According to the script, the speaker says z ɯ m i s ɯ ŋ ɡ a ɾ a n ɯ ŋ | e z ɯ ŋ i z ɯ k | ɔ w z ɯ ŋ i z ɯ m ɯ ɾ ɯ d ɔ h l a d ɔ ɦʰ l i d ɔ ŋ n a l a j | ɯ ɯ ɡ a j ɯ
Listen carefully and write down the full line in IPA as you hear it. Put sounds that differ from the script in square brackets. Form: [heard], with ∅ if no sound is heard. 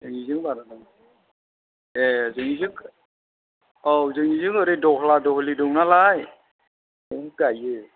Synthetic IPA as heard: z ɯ [ŋ] i [z] ɯ ŋ [b] a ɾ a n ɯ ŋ | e z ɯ ŋ i z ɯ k | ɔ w z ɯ ŋ i z ɯ [ŋ] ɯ ɾ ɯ d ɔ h l a d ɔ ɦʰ l i d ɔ ŋ n a l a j | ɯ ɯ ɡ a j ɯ